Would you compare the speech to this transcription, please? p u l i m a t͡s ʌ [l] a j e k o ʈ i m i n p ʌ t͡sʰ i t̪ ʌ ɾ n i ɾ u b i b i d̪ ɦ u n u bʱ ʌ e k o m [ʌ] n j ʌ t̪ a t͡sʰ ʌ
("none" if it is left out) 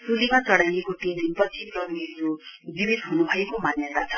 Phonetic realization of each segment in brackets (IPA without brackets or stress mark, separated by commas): ɽ, a